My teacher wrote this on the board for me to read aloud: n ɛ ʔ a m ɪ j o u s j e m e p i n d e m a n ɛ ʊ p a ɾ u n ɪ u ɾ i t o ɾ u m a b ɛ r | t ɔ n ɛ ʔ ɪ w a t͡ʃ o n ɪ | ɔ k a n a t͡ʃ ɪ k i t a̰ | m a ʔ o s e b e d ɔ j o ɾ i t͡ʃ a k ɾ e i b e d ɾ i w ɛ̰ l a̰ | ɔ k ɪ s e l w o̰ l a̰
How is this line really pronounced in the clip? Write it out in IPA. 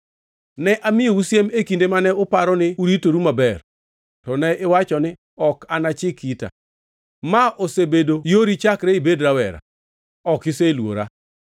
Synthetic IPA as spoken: n ɛ ʔ a m ɪ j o u s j e m e k i n d e m a n ɛ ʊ p a ɾ ɔ n ɪ u ɾ i t o ɾ u m a b ɛ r | t ɔ n ɛ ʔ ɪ w a t͡ʃ ɔ n ɪ | ɔ k a n a t͡ʃ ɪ k i t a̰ | m a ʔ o s e b e d o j o ɾ i t͡ʃ a k ɾ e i b e d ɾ a w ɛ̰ ɾ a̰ | ɔ k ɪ s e l w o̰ ɾ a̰

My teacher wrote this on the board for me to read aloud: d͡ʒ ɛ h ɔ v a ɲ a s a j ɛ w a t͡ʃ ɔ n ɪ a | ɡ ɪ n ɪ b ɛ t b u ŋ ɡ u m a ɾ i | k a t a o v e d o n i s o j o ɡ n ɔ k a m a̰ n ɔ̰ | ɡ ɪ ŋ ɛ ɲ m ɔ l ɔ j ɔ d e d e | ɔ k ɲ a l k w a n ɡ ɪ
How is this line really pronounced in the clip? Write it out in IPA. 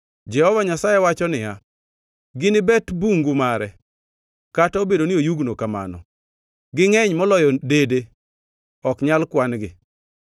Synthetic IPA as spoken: d͡ʒ ɛ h ɔ v a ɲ a s a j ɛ w a t͡ʃ ɔ n ɪ a | ɡ ɪ n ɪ b ɛ t b u ŋ ɡ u m a ɾ ɛ | k a t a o b e d o n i o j u ɡ n o k a m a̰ n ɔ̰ | ɡ ɪ ŋ ɛ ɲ m ɔ l ɔ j ɔ d e d e | ɔ k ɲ a l k w a n ɡ ɪ

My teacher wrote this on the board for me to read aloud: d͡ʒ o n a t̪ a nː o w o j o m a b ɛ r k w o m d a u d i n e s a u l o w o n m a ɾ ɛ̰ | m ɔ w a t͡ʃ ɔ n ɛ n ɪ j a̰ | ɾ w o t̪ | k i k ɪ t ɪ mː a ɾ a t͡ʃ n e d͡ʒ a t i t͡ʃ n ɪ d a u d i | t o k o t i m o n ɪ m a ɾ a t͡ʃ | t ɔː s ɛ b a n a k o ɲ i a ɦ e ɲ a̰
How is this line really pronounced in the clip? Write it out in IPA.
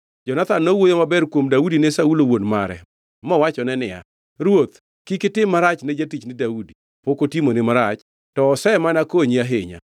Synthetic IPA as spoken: d͡ʒ ɔ n a t̪ a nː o w o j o m a b ɛ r k w o m d a u d i n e s a u l o w o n m a ɾ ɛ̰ | m ɔ w a t͡ʃ ɔ n ɛ n ɪ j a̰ | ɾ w o t̪ | k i k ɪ t ɪ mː a ɾ a t͡ʃ n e d͡ʒ a t i t͡ʃ n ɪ d a u d i | p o k o t i m o n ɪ m a ɾ a t͡ʃ | t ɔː s ɛ m a n a k o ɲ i a ɦ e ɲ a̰

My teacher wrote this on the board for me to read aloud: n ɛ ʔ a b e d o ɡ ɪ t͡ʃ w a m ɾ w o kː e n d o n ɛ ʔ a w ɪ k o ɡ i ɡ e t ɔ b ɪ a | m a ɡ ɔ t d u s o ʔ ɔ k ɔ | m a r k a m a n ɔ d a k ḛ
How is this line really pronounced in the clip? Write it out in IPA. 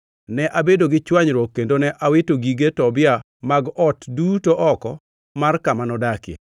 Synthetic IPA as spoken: n ɛ ʔ a b e d o ɡ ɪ t͡ʃ w a ɲ ɾ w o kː e n d o n ɛ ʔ a w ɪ t o ɡ i ɡ e t ɔ b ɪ a | m a ɡ ɔ t d u t o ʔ ɔ k ɔ | m a r k a m a n ɔ d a k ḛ

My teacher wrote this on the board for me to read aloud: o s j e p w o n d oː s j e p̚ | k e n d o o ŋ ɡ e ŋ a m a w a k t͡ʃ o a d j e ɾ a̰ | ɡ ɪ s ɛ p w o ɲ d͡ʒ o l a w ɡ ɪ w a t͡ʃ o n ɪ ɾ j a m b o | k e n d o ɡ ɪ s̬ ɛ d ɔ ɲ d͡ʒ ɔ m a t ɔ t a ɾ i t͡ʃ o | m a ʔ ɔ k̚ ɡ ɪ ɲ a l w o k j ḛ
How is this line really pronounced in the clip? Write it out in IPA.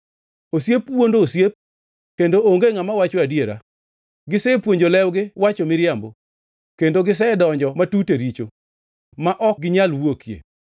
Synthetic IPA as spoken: o s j e p w o n d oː s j e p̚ | k e n d o o ŋ ɡ e ŋ a m a w a t͡ʃ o a d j e ɾ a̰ | ɡ ɪ s ɛ p w o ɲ d͡ʒ o l ɛ w ɡ ɪ w a t͡ʃ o m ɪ ɾ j a m b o | k e n d o ɡ ɪ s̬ ɛ d ɔ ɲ d͡ʒ ɔ m a t u t e ɾ i t͡ʃ o | m a ʔ ɔ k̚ ɡ ɪ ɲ a l w o k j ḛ

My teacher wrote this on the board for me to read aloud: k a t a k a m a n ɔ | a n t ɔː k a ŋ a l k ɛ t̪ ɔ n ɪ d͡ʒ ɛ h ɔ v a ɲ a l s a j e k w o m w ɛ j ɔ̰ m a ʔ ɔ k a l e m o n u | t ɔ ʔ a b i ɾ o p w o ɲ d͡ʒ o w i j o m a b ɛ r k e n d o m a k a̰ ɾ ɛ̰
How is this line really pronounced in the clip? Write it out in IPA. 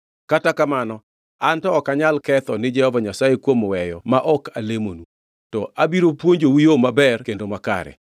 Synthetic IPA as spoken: k a t a k a m a n ɔ | a n t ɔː k a ɲ a l k ɛ t̪ ɔ n ɪ d͡ʒ ɛ h ɔ v a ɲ a s a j e k w o m w ɛ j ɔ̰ m a ʔ ɔ k a l e m o n u | t ɔ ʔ a b i ɾ o p w o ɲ d͡ʒ o w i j o m a b ɛ r k e n d o m a k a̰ ɾ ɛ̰

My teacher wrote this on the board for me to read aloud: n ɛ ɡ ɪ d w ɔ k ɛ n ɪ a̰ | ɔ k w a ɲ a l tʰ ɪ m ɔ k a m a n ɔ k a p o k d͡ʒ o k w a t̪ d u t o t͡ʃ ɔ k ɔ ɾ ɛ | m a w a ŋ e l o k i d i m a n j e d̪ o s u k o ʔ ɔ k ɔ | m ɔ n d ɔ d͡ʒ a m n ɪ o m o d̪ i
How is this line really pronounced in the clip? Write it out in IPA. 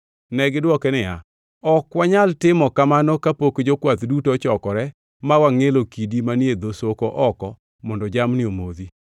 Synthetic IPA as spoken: n ɛ ɡ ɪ d w ɔ k ɛ n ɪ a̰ | ɔ k w a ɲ a l t ɪ m ɔ k a m a n ɔ k a p o k d͡ʒ o k w a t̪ d u t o t͡ʃ ɔ k ɔ ɾ ɛ | m a w a ŋ e l o k i d i m a n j e d̪ o s o k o ʔ ɔ k ɔ | m ɔ n d ɔ d͡ʒ a m n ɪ o m o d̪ i

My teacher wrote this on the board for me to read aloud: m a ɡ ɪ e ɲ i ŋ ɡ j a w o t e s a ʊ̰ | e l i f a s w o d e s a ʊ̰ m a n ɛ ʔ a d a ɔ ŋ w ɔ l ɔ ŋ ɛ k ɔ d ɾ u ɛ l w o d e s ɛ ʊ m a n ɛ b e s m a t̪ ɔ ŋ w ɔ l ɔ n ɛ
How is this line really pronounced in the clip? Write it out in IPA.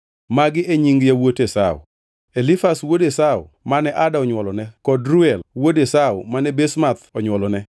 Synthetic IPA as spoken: m a ɡ ɪ e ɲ i ŋ ɡ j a w o t e s a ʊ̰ | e l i f a s w o d e s a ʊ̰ m a n ɛ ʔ a d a ɔ ɲ w ɔ l ɔ n ɛ k ɔ d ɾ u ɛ l w o d e s a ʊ m a n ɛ b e s m a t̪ ɔ ɲ w ɔ l ɔ n ɛ

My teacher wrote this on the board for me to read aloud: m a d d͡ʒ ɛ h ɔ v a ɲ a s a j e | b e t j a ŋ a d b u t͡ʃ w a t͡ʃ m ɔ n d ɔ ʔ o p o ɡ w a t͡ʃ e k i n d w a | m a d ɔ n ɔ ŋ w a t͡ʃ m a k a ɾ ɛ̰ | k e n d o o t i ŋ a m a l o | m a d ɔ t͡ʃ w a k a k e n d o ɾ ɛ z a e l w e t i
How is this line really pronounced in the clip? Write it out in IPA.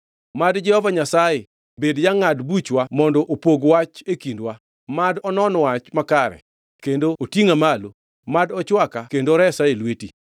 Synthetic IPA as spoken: m a d d͡ʒ ɛ h ɔ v a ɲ a s a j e | b e d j a ŋ a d b u t͡ʃ w a m ɔ n d ɔ ʔ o p o ɡ w a t͡ʃ e k i n d w a | m a d ɔ n ɔ n w a t͡ʃ m a k a ɾ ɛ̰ | k e n d o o t i ŋ a m a l o | m a d ɔ t͡ʃ w a k a k e n d o ɾ ɛ s a e l w e t i

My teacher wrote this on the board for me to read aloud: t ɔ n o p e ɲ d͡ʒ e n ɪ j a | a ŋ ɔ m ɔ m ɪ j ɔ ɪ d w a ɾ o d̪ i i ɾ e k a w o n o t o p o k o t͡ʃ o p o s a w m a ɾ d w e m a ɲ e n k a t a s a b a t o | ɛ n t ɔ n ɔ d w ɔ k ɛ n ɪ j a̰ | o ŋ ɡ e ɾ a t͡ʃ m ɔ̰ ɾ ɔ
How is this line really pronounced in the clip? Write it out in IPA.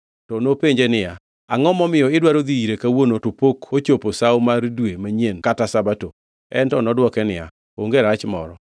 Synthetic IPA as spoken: t ɔ n o p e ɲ d͡ʒ e n ɪ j a | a ŋ ɔ m ɔ m ɪ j ɔ ɪ d w a ɾ o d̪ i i ɾ e k a w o n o t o p o k o t͡ʃ o p o s a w m a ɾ d w e m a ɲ e n k a t a s a b a t o | ɛ n t ɔ n ɔ d w ɔ k ɛ n ɪ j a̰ | o ŋ ɡ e ɾ a t͡ʃ m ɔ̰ ɾ ɔ

